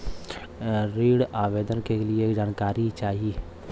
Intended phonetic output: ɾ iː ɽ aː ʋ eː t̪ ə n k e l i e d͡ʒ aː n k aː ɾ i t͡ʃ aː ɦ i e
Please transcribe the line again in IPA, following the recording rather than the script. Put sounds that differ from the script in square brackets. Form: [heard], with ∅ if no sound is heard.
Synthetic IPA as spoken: ɾ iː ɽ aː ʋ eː [d̪] ə n k e l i e d͡ʒ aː n k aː ɾ i t͡ʃ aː ɦ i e